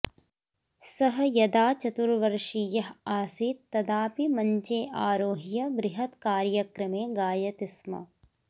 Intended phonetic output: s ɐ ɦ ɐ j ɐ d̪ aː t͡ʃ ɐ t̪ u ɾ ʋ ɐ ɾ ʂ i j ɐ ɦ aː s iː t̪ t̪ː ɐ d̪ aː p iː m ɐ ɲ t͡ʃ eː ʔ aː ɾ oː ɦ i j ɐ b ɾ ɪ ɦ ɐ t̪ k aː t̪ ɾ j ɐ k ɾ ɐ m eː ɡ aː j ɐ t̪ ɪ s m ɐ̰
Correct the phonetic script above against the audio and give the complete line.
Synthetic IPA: s ɐ ɦ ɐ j ɐ d̪ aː t͡ʃ ɐ t̪ u ɾ ʋ ɐ ɾ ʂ i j ɐ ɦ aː s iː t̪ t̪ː ɐ d̪ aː p i m ɐ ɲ t͡ʃ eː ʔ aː ɾ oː ɦ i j ɐ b ɾ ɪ ɦ ɐ t̪ k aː ɾ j ɐ k ɾ ɐ m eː ɡ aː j ɐ t̪ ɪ s m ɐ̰